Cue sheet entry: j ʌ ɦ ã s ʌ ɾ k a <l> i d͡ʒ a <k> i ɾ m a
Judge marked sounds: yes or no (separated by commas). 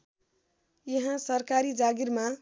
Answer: no, no